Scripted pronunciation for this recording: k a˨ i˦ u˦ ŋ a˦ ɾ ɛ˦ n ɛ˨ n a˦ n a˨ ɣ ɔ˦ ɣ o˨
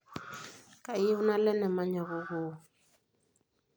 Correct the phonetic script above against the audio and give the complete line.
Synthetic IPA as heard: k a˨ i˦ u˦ n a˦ l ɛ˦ n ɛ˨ m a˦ ɲ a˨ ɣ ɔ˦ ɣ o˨